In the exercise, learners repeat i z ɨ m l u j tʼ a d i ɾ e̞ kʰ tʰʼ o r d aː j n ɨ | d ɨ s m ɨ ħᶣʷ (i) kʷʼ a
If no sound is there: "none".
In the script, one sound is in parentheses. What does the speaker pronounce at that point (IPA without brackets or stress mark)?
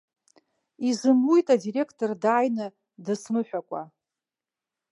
a